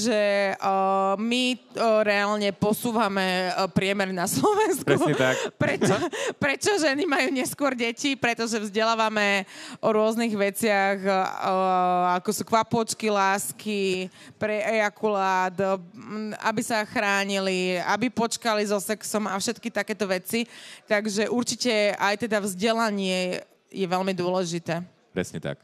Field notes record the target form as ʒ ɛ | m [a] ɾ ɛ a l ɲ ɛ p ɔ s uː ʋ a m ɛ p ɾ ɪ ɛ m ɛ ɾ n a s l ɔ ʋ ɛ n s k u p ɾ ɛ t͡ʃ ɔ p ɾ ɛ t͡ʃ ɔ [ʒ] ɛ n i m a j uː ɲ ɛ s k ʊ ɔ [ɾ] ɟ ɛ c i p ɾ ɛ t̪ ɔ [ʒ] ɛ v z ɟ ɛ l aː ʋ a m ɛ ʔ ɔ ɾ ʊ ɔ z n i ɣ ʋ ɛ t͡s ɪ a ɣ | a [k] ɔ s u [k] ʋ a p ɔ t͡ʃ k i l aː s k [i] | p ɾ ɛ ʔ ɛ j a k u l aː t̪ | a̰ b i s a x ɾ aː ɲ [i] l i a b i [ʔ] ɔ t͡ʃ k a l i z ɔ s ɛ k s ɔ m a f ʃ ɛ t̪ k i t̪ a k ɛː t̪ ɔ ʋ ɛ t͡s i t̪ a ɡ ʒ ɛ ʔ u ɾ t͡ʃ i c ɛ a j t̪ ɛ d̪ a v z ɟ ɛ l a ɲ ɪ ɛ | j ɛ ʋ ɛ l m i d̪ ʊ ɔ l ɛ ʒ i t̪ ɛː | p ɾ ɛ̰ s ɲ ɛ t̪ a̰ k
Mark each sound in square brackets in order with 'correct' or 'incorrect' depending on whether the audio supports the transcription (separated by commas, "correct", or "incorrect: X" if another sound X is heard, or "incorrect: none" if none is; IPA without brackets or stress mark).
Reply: incorrect: i, correct, correct, correct, correct, correct, correct, correct, incorrect: p